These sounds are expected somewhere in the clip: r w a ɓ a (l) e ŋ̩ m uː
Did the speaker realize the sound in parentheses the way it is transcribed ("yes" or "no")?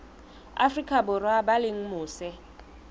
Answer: yes